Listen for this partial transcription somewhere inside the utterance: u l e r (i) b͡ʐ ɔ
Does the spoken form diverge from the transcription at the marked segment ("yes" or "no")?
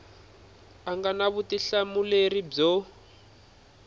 no